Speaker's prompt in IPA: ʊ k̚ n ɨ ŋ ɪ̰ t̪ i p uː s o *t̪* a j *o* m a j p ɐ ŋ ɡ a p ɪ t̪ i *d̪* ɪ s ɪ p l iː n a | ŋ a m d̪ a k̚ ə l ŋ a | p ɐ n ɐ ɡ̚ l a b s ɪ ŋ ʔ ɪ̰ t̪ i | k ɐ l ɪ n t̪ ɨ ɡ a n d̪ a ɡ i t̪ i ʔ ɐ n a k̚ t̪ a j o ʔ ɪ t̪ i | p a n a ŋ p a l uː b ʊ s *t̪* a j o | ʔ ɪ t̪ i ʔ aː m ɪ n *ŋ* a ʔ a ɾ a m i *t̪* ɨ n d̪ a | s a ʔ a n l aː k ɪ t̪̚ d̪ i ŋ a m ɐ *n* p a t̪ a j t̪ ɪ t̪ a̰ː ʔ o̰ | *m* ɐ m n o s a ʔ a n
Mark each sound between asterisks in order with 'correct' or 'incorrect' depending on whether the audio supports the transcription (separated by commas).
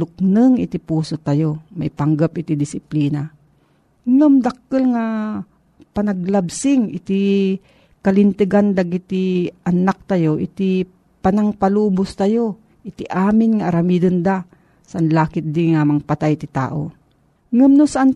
correct, correct, correct, correct, correct, incorrect, incorrect, incorrect